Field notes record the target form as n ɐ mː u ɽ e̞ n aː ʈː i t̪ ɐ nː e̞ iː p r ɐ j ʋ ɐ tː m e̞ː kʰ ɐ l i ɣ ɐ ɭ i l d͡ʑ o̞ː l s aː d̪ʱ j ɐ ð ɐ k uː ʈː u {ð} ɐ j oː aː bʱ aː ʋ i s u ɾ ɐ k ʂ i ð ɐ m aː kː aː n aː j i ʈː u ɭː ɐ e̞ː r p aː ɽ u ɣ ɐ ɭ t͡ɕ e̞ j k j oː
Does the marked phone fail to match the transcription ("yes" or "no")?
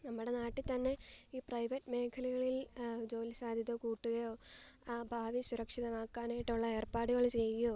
yes